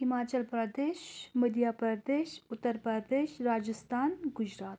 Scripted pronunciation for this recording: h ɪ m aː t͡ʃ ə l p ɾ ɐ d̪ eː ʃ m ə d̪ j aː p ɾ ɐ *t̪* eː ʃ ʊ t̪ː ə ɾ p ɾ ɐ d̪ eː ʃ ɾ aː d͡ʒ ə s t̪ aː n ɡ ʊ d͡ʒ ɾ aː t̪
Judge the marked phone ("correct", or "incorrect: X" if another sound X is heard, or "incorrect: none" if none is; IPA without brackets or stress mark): incorrect: d̪